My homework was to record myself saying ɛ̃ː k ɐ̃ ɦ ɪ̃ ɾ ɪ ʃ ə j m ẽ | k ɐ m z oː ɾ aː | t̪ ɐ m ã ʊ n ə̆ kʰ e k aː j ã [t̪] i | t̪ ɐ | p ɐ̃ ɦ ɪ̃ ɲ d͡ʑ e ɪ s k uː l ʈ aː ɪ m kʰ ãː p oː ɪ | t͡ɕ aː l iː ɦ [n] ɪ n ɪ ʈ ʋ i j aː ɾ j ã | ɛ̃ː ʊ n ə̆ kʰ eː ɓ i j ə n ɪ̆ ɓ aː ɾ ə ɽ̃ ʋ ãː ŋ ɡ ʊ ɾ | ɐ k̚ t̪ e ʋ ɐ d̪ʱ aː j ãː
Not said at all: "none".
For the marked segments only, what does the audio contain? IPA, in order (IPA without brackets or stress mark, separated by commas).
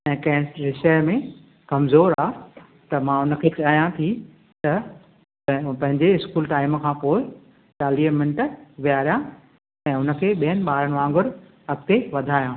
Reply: t̪ʰ, m